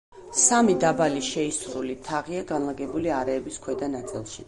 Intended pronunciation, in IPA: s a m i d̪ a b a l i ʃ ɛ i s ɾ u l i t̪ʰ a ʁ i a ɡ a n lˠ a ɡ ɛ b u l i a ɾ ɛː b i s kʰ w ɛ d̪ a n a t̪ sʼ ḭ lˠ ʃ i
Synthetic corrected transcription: s a m i d̪ a b a l i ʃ ɛ i s ɾ u l i t̪ʰ a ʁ i a ɡ a n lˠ a ɡ ɛ b u l i a ɾ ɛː b i s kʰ w ɛ d̪ a n a t̪ sʼ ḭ lˠ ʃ i